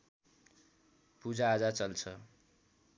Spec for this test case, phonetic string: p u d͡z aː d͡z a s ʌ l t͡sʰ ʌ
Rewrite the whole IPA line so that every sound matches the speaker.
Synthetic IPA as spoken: p u d͡z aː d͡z a t͡s ʌ l t͡sʰ ʌ